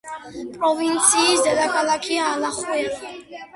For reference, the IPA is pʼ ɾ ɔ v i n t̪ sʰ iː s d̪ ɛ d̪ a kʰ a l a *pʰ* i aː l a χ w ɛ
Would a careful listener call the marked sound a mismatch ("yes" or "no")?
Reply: yes